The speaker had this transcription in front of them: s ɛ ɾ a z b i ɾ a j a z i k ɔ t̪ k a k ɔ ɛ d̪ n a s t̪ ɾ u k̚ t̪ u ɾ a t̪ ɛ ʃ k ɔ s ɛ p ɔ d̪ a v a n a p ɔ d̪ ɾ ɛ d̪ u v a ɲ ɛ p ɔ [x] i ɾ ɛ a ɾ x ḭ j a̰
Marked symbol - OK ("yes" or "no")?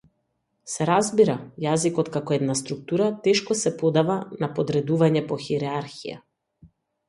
yes